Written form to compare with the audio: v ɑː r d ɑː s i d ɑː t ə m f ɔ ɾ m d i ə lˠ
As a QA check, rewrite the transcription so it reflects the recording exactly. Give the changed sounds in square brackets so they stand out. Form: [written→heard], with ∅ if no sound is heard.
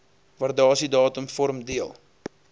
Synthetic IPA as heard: v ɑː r d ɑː s i d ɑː t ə m f ɔ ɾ m d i ə lˠ